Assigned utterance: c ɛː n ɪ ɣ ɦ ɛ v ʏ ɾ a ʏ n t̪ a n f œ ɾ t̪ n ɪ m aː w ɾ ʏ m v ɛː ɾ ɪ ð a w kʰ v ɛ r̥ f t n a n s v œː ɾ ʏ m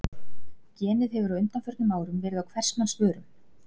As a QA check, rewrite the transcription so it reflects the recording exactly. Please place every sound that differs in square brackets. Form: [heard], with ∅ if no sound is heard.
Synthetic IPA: c ɛː n ɪ [ð] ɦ ɛ v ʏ ɾ a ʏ n t̪ a n f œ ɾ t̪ n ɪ m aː w ɾ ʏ m v ɛː ɾ ɪ ð a w kʰ v ɛ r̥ [s] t n a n s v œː ɾ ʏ m